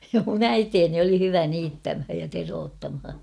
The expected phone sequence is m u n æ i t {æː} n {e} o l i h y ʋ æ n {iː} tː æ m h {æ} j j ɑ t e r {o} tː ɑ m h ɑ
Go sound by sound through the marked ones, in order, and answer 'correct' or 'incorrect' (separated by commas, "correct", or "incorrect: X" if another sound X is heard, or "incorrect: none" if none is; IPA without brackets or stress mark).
incorrect: eː, incorrect: i, correct, correct, incorrect: oː